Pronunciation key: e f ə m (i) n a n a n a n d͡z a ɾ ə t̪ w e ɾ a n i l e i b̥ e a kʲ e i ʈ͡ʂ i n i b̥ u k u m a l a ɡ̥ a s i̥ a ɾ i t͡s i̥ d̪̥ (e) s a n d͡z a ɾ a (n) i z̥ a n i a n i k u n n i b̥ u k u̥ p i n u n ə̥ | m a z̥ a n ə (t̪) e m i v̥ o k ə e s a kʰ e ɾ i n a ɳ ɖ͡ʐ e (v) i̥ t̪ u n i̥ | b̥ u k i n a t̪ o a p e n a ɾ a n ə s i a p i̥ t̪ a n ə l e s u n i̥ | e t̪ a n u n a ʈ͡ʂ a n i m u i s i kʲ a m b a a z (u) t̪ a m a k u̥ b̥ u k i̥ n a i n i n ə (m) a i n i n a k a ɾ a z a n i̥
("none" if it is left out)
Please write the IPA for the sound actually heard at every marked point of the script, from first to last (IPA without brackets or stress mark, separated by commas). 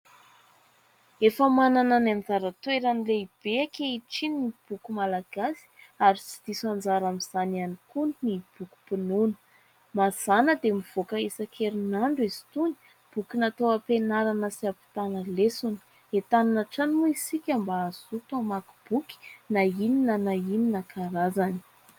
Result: a, i, m, d̪, z, u, n